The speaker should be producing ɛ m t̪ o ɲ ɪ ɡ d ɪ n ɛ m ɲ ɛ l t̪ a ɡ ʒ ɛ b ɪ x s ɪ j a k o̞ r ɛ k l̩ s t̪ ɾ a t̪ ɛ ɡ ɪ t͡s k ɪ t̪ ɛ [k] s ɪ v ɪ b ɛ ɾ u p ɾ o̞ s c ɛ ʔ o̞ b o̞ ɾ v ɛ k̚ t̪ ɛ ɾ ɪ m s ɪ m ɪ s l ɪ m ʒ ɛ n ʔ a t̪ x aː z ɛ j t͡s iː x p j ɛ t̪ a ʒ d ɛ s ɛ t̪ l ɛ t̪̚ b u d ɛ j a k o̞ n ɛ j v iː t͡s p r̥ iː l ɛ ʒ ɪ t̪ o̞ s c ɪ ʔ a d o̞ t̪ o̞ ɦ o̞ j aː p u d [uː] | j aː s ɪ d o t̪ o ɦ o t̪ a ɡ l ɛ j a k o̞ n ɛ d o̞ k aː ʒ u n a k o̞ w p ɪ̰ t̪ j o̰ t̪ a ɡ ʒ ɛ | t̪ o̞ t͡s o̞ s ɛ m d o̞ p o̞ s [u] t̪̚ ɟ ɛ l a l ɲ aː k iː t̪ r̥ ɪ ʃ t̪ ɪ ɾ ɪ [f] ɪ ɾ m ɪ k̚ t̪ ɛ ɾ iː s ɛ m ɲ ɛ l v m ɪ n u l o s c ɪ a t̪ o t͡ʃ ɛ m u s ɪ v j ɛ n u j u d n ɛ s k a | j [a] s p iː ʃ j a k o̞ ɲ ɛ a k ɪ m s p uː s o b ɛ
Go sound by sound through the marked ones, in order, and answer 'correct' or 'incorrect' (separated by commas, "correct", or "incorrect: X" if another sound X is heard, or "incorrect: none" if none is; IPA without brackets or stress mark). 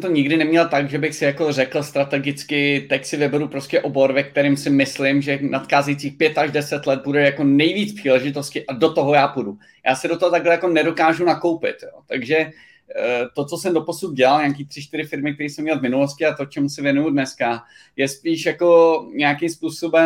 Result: incorrect: c, incorrect: u, correct, correct, incorrect: ɛ